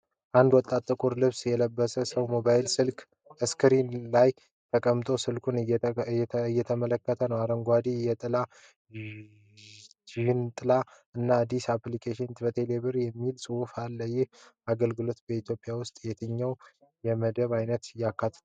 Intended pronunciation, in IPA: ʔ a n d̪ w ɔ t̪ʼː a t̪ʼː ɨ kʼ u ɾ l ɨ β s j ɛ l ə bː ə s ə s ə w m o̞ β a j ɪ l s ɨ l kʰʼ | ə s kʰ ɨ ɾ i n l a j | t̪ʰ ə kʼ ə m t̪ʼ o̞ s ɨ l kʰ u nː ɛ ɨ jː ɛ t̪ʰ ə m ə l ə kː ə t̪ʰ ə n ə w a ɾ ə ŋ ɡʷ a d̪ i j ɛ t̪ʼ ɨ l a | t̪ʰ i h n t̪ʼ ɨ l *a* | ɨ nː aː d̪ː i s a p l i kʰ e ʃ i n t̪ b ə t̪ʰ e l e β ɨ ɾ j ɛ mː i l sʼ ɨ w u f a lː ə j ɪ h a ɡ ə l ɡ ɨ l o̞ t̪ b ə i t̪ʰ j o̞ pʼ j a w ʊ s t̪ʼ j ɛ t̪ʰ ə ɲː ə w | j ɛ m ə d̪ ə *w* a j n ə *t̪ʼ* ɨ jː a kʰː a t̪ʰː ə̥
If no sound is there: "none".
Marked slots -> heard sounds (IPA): a, β, t̪

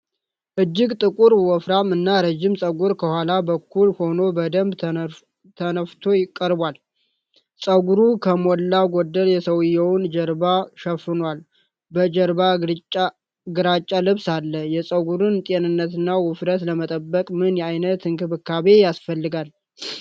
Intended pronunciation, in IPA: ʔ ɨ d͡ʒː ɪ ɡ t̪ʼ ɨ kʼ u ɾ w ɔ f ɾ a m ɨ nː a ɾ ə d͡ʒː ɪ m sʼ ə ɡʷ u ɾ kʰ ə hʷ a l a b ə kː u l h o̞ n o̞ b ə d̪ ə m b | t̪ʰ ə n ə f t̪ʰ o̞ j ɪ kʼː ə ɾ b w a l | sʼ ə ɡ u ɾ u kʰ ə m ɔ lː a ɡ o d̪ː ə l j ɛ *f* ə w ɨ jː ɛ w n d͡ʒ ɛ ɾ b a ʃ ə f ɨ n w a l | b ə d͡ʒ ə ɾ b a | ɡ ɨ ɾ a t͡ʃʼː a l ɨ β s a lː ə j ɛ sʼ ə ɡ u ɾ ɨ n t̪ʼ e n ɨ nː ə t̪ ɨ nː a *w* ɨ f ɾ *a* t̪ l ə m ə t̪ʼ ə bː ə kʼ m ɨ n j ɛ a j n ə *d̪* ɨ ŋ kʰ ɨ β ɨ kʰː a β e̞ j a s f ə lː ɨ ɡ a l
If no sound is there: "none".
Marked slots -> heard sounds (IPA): s, w, ə, t̪

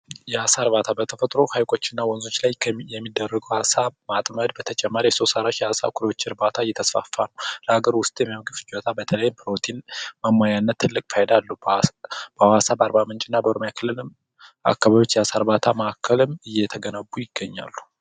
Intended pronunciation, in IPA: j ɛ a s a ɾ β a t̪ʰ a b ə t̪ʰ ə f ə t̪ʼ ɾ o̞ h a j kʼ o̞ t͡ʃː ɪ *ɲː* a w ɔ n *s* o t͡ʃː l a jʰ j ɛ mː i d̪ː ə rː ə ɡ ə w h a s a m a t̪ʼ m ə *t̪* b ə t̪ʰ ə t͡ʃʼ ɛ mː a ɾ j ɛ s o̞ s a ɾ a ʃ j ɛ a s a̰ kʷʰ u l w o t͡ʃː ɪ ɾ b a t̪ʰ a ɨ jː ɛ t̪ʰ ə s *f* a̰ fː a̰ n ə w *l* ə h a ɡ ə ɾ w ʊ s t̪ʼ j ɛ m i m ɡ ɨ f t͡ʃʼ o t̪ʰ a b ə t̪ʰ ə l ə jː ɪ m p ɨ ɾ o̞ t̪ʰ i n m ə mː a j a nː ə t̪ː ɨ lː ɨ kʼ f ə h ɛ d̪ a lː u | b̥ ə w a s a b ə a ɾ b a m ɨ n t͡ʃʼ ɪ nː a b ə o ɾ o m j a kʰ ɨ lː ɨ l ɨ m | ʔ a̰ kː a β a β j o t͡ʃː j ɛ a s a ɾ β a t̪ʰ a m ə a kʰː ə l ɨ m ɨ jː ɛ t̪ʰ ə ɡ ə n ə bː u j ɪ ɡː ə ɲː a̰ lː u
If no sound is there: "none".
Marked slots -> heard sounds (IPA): nː, z, d̪, f, l

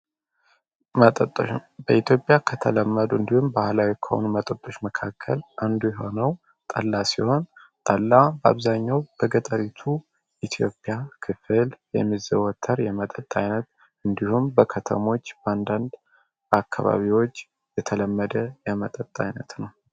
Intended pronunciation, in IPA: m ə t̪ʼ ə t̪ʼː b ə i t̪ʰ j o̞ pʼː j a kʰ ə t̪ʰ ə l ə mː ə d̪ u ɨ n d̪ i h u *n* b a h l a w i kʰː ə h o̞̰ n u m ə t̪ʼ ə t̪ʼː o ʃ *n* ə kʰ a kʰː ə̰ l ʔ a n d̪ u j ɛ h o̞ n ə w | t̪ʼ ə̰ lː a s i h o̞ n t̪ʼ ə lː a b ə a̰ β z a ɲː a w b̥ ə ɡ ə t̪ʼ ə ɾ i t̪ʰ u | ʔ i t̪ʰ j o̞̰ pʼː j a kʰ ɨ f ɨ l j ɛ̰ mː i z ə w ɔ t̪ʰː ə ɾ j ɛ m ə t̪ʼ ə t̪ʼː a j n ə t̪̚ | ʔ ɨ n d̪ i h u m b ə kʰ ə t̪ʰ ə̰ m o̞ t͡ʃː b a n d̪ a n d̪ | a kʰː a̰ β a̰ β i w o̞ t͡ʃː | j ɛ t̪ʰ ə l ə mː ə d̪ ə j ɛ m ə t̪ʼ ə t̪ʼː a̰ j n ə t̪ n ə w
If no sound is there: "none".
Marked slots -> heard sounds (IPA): m, m

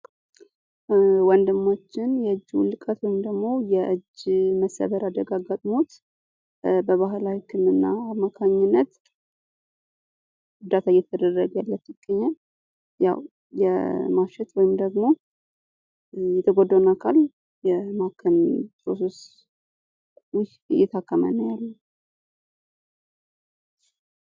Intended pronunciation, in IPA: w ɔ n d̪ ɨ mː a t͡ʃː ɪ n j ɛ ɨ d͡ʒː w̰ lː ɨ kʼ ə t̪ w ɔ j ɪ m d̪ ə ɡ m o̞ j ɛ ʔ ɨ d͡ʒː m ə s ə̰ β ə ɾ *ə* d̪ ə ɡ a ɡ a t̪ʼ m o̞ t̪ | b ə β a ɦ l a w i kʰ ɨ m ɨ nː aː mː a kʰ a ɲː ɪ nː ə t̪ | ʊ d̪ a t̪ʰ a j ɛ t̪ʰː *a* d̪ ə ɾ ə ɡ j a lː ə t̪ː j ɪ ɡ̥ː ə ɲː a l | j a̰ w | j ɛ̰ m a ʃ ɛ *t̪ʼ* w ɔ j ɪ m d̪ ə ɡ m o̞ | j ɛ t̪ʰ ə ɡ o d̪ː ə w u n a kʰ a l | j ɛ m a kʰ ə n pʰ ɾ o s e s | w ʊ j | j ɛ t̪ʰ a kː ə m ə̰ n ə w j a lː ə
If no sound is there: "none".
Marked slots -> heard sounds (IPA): a, ə, t̪

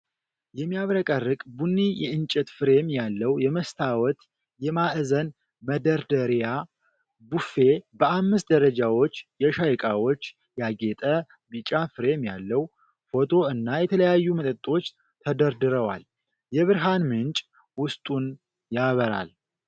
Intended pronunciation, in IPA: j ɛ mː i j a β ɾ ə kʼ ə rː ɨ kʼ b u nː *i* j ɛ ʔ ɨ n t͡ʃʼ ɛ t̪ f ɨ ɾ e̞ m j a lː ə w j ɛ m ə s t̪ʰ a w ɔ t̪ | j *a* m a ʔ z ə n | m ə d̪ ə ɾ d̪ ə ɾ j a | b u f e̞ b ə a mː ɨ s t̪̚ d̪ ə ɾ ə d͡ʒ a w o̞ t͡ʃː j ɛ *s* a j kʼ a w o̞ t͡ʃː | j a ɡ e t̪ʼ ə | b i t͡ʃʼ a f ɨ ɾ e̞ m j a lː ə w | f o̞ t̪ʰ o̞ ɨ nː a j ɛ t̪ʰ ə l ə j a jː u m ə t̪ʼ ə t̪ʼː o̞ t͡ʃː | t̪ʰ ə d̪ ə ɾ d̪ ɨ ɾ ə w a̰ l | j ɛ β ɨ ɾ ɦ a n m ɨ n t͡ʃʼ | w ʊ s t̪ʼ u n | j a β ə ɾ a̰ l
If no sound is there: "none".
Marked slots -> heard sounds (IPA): i, ɛ, ʃ

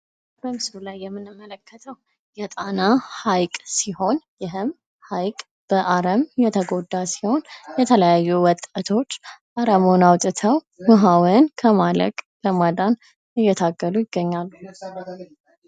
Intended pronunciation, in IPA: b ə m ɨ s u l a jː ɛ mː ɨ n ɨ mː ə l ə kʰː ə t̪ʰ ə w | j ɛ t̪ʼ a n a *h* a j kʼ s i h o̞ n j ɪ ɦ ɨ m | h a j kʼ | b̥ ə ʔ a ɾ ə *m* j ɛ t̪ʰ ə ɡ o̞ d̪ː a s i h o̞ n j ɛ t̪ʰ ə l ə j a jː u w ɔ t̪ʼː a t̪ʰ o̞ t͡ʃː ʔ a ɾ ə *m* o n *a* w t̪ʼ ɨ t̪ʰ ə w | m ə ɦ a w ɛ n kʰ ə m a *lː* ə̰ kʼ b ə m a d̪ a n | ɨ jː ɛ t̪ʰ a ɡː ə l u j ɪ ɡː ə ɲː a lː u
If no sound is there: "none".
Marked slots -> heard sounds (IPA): h, m, m, a, l

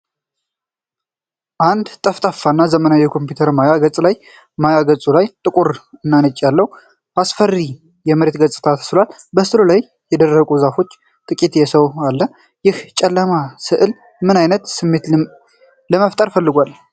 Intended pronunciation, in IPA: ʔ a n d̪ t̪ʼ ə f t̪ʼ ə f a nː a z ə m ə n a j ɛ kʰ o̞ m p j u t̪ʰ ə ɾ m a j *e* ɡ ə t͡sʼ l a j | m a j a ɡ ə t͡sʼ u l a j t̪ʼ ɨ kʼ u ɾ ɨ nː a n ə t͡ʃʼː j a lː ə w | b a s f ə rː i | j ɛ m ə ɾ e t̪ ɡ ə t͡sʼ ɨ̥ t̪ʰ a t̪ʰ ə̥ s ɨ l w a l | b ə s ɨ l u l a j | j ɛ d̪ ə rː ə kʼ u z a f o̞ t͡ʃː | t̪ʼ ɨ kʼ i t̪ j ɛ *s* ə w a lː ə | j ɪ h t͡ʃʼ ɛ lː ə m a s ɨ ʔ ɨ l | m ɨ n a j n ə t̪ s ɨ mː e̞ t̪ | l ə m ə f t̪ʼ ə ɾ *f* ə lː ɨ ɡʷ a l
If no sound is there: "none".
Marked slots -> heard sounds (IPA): a, s, f

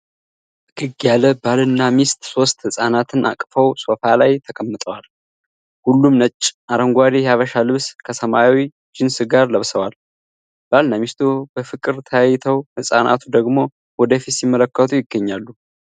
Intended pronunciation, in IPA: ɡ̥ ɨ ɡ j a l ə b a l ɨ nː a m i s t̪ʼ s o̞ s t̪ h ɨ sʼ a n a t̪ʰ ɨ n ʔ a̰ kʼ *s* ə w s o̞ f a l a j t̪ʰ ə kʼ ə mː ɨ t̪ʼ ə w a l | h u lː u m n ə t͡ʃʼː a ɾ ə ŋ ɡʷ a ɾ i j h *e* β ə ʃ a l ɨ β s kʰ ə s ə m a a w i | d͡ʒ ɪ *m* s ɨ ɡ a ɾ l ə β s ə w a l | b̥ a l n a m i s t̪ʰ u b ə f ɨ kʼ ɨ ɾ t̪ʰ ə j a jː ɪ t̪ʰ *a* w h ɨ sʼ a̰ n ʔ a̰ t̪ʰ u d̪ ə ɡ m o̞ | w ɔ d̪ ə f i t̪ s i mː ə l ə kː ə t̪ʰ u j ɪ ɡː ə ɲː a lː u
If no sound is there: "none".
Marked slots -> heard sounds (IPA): f, a, n, ə

